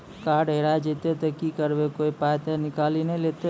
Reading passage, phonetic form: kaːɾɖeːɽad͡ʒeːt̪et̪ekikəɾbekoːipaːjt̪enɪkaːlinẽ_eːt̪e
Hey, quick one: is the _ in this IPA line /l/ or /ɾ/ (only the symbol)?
l